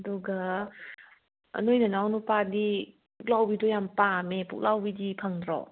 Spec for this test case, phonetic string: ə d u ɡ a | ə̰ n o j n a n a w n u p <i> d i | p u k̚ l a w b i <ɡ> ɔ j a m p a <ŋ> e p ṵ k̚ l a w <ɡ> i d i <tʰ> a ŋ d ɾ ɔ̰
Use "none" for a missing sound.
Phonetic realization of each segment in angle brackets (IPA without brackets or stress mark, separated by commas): a, d, m, b, pʰ